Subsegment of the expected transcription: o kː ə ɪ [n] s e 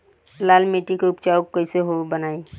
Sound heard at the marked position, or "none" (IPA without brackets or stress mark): none